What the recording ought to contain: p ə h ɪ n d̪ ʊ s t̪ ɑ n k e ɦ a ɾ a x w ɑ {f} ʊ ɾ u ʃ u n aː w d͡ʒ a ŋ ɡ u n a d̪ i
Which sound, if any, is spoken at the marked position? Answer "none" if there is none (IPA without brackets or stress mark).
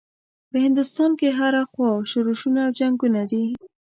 ʃ